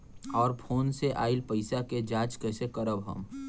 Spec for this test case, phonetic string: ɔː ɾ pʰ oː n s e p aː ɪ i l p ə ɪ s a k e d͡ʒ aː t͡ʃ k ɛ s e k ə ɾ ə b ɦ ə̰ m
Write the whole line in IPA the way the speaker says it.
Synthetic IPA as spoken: ɔː ɾ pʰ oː n s e ʔ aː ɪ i l p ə ɪ s a k e d͡ʒ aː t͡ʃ k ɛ s e k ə ɾ ə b ɦ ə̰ m